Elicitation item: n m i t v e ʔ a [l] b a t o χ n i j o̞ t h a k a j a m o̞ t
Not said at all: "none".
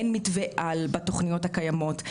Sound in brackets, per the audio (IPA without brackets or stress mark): l